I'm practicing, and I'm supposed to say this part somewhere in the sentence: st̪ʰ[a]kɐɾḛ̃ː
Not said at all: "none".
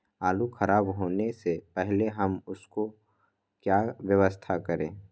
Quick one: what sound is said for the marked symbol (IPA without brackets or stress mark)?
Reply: a